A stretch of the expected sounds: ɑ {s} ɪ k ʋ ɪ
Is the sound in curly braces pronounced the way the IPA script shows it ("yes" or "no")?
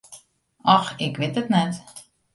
no